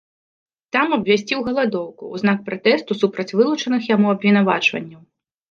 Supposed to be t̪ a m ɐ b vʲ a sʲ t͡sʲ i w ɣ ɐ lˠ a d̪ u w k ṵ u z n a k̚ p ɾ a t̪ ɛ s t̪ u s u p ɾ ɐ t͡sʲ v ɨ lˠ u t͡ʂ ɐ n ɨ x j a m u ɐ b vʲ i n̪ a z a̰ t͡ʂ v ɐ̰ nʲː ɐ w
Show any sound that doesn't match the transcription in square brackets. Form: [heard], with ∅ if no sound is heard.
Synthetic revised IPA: t̪ a m ɐ b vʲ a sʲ t͡sʲ i w ɣ ɐ lˠ a d̪ [ɔ] w k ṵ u z n a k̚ p ɾ a t̪ ɛ s t̪ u s u p ɾ ɐ t͡sʲ v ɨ lˠ u t͡ʂ ɐ n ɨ x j a m u ɐ b vʲ i n̪ a [v] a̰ t͡ʂ v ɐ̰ nʲː ɐ w